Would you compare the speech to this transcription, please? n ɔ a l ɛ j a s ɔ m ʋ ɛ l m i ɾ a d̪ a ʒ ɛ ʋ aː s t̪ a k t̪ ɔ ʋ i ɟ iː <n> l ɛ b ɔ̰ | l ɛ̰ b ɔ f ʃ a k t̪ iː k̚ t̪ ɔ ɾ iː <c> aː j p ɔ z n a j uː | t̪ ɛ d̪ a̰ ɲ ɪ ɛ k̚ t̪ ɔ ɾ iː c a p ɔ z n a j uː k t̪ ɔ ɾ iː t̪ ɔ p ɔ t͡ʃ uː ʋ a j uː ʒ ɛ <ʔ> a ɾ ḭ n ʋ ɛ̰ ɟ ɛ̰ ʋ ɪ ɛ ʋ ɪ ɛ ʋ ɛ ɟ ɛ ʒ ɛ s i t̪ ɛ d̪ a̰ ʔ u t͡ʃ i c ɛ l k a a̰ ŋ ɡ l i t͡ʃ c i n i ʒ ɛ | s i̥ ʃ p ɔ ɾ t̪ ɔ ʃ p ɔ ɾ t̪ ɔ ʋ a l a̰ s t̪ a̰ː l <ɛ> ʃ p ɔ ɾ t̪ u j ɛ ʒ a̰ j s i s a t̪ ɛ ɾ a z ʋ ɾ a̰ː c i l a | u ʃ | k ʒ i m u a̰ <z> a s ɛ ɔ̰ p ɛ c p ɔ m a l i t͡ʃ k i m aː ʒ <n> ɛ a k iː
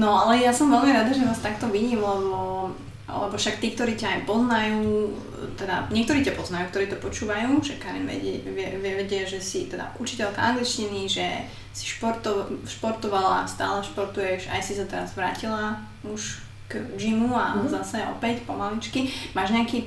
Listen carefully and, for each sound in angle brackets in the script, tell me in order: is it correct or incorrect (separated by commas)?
incorrect, correct, incorrect, correct, correct, incorrect